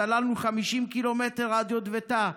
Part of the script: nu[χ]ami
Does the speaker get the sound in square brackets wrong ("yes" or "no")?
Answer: no